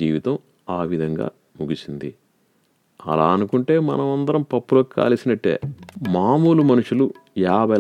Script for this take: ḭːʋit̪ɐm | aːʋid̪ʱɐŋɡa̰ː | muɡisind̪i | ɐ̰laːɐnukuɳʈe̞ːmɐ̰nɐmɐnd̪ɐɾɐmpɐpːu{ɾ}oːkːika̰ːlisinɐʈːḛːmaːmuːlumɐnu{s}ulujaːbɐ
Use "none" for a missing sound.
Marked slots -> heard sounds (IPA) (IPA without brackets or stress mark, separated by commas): l, ʂ